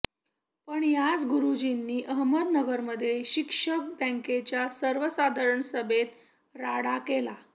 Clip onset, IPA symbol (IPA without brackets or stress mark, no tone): p